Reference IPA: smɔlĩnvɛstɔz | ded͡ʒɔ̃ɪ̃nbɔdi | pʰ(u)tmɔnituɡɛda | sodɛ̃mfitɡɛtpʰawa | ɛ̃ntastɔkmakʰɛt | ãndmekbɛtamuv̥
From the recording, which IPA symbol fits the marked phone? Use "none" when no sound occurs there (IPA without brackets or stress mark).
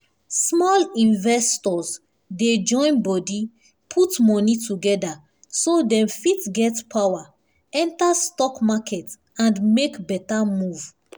u